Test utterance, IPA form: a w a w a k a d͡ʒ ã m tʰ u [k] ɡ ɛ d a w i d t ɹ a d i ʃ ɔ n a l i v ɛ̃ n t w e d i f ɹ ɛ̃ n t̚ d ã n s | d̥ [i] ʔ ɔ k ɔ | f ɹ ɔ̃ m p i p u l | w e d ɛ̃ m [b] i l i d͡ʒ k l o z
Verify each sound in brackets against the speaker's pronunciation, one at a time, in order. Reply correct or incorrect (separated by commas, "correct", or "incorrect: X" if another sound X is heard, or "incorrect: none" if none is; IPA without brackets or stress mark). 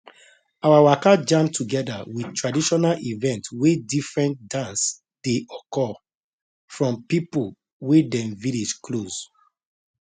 incorrect: none, incorrect: e, incorrect: v